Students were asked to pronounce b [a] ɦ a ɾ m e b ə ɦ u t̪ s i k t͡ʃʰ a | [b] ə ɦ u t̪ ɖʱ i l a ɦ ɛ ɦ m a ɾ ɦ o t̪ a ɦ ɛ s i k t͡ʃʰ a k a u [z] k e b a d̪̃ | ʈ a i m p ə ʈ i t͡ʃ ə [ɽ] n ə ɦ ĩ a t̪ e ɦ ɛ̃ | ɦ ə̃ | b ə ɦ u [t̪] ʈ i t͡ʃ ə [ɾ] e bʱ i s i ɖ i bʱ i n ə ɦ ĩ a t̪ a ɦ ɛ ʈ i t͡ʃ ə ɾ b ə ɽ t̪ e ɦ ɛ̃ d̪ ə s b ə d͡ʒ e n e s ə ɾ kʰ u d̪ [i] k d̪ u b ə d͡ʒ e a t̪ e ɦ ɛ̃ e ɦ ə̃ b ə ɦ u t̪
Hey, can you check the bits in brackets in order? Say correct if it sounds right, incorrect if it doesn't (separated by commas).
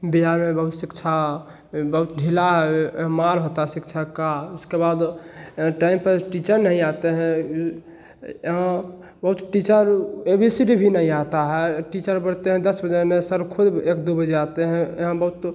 incorrect, correct, incorrect, incorrect, correct, correct, incorrect